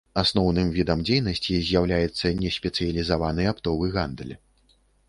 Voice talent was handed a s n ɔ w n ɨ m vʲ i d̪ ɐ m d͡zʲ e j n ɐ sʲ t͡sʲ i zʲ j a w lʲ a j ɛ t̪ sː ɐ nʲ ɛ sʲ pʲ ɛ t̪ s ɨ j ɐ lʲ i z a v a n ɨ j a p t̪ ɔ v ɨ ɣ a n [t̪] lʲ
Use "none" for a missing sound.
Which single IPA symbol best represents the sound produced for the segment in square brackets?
d̪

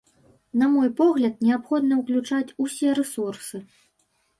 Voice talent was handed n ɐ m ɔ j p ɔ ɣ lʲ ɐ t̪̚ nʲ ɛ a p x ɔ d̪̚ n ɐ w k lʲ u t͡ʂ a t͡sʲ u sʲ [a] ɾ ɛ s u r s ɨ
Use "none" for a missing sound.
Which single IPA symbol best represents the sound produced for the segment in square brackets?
ɛ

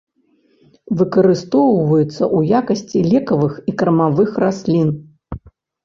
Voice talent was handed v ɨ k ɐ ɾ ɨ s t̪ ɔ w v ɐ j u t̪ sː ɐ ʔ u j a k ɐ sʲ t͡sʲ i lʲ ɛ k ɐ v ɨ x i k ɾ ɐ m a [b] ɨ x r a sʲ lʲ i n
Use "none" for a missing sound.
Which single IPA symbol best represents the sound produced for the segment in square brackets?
v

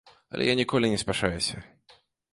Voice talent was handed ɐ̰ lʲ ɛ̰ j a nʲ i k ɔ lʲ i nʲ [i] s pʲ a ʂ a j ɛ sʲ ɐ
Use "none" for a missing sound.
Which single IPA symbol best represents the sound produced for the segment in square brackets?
ɛ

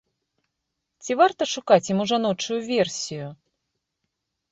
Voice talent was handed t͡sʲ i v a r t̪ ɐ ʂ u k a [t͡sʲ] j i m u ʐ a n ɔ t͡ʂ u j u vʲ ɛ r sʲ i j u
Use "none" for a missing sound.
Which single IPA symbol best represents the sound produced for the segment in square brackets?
t͡sʲ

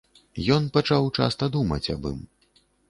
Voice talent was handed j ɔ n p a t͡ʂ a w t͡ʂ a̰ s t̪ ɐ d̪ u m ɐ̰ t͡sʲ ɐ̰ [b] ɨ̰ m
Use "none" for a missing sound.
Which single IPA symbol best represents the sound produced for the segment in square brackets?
b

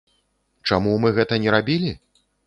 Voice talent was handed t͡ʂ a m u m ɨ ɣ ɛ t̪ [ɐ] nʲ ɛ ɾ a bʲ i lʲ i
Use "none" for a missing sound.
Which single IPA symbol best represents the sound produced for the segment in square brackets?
ɐ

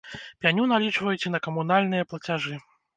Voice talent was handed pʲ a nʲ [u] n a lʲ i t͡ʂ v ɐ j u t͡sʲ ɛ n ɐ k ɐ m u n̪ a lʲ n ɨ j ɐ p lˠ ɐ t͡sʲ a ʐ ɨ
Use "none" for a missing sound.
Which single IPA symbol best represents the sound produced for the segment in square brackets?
u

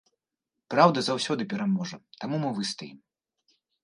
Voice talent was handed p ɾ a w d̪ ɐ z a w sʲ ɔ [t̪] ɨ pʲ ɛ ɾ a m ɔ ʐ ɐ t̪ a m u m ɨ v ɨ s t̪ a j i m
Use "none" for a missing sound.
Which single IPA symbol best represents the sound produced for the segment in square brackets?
d̪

